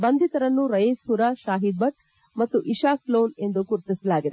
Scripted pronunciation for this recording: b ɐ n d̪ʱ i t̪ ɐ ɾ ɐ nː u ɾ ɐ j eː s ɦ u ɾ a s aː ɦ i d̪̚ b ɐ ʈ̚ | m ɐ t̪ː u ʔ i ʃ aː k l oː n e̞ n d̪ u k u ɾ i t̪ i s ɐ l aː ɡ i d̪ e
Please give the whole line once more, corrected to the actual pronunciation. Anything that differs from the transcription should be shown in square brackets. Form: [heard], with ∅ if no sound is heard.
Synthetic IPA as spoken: b ɐ n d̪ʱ i t̪ ɐ ɾ ɐ nː u ɾ ɐ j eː s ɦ u ɾ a [ʃ] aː ɦ i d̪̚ b ɐ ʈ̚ | m ɐ t̪ː u ʔ i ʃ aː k l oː n e̞ n d̪ u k u ɾ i t̪ i s ɐ l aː ɡ i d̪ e